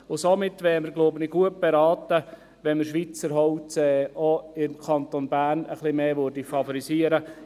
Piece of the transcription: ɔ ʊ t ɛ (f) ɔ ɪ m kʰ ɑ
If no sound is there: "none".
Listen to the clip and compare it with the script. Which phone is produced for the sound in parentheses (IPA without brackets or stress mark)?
none